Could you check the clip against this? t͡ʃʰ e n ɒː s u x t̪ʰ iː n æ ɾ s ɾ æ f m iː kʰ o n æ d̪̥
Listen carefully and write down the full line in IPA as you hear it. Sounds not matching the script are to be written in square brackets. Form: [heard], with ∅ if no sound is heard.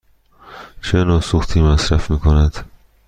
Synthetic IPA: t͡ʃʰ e n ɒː s u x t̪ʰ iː [m] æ [∅] s ɾ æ f m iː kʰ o n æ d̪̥